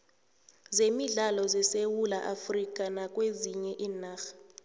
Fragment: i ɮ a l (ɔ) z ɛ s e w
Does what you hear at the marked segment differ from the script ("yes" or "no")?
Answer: no